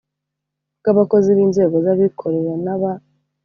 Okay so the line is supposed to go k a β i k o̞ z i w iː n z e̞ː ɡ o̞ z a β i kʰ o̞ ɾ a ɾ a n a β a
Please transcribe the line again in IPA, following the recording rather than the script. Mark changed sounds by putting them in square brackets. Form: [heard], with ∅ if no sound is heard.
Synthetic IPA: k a β [a] k o̞ z i [β] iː n z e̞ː ɡ o̞ z a β i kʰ o̞ ɾ [e] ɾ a n a β a